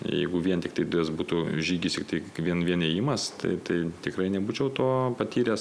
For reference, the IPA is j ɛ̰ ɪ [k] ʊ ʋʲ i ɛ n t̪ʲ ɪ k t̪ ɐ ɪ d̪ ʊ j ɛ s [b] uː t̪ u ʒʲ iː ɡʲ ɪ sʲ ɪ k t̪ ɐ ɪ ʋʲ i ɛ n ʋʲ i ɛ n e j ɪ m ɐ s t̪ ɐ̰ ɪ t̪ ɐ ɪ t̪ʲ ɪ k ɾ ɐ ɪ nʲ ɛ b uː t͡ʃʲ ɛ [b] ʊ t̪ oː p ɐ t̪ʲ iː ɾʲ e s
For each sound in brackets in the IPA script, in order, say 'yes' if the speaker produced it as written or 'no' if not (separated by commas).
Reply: no, yes, no